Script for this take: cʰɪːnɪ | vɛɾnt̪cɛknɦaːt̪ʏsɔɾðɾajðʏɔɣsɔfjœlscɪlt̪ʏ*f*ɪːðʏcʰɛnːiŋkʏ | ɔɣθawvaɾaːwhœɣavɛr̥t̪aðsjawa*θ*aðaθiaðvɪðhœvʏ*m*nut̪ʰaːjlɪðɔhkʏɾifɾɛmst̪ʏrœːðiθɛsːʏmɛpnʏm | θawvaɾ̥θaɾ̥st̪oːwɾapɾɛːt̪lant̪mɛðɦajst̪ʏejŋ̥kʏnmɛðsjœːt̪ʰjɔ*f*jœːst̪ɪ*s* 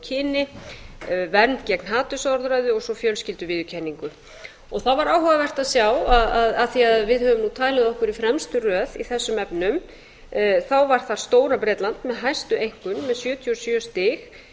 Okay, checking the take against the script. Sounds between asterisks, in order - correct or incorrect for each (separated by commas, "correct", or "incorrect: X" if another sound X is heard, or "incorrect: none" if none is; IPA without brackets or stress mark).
incorrect: v, incorrect: ð, correct, incorrect: s, incorrect: x